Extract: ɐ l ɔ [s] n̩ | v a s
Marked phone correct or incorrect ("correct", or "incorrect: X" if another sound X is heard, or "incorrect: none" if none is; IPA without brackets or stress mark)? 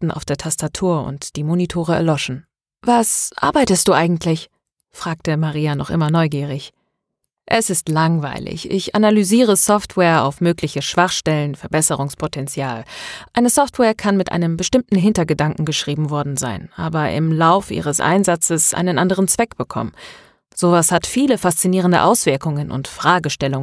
incorrect: ʃ